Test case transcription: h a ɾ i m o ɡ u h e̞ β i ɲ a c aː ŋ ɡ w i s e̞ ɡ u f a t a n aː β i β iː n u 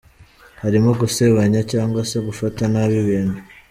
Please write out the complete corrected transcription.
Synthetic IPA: h a ɾ i m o ɡ u s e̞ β a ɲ a c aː ŋ ɡ w a s e̞ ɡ u f a t a n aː β i β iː n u